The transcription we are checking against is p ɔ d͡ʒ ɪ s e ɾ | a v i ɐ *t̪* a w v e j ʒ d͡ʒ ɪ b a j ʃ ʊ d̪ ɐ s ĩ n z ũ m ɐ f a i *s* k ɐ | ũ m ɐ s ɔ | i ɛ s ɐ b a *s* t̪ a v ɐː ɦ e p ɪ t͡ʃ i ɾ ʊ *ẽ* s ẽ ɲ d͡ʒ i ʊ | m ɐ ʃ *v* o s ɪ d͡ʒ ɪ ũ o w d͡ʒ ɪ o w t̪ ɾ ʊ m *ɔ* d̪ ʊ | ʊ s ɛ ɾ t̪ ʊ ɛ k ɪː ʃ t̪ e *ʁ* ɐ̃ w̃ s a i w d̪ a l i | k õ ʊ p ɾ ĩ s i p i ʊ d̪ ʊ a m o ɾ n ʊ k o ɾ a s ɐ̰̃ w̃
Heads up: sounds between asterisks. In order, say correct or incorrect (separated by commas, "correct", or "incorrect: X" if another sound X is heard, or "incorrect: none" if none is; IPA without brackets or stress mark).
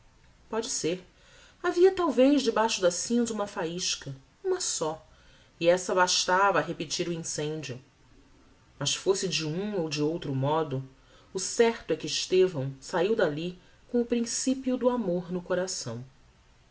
correct, incorrect: ʃ, incorrect: ʃ, incorrect: ĩ, incorrect: f, correct, incorrect: v